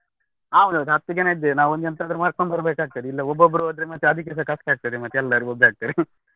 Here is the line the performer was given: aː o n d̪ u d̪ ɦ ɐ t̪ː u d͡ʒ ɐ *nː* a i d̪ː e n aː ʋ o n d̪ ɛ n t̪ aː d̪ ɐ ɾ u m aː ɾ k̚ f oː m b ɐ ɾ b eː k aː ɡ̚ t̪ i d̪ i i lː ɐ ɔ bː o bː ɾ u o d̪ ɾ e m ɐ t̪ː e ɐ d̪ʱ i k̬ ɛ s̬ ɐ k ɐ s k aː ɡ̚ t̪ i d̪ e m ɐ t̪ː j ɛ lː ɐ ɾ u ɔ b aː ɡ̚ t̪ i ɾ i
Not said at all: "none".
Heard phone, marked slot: n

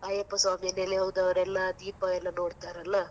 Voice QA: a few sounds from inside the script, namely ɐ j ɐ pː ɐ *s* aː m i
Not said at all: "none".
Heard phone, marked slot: s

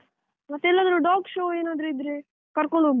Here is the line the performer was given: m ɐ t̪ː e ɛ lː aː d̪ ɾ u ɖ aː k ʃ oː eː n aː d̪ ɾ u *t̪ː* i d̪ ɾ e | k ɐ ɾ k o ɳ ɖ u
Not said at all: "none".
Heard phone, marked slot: none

